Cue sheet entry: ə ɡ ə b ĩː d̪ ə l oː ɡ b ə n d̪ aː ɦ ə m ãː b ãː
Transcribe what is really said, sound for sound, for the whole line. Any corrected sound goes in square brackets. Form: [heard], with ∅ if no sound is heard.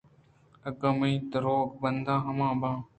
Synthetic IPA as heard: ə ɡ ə [m] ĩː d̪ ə [ɾ] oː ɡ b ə n d̪ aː ɦ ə m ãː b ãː